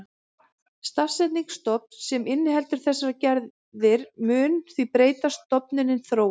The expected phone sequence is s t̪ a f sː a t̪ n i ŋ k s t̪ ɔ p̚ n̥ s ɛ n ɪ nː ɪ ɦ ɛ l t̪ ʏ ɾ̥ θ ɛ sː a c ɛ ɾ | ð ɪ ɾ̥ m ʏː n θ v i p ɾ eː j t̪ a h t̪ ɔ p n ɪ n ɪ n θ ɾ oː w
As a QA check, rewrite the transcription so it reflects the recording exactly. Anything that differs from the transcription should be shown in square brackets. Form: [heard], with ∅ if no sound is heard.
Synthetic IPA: s t̪ a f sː [ɛ] t̪ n i ŋ k s t̪ ɔ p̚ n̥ s ɛ [m] ɪ nː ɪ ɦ ɛ l t̪ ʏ ɾ̥ θ ɛ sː a c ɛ ɾ | ð ɪ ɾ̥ m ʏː n θ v i p ɾ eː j t̪ a [s] t̪ ɔ p n ɪ n ɪ n θ ɾ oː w